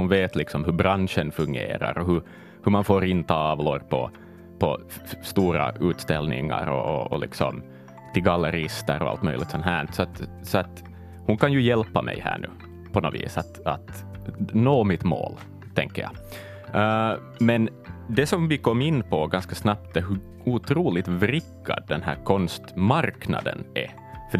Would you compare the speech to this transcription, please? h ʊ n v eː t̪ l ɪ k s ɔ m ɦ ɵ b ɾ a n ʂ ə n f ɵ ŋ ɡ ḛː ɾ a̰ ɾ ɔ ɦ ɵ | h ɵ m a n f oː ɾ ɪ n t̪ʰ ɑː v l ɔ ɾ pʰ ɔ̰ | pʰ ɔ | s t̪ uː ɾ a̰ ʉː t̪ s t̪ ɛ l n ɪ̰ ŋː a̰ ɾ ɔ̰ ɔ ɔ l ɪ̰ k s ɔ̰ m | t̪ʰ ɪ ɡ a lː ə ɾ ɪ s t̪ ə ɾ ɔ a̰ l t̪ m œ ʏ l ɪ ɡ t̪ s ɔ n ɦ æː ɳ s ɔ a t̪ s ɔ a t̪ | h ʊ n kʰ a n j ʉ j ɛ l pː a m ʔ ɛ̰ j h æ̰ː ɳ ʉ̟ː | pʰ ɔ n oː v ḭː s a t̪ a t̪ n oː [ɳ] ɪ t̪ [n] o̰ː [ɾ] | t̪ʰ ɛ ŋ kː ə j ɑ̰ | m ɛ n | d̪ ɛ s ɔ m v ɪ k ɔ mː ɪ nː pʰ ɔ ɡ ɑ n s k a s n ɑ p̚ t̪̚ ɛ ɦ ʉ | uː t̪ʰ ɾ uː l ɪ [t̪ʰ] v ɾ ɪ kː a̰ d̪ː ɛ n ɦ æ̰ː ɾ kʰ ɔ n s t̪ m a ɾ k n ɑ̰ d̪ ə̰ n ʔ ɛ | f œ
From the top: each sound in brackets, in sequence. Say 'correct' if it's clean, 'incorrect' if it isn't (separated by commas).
incorrect, incorrect, incorrect, incorrect